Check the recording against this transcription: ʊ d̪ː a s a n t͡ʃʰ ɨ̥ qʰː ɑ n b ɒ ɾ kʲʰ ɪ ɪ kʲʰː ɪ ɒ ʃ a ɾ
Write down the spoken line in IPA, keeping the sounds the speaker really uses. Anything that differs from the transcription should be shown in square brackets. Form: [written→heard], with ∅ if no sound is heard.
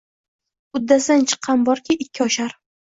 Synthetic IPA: ʊ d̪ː a s a n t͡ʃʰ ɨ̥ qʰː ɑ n b ɒ ɾ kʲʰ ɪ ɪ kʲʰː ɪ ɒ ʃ a ɾ